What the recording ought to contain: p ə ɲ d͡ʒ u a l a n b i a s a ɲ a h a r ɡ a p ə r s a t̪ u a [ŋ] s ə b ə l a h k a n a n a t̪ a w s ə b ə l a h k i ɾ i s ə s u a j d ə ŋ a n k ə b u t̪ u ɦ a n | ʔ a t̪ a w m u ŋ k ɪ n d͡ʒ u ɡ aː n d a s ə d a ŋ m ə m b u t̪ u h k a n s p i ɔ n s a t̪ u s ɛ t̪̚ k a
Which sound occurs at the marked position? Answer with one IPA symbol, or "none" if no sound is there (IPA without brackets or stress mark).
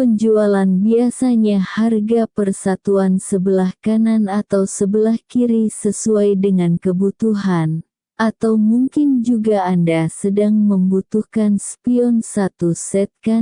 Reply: n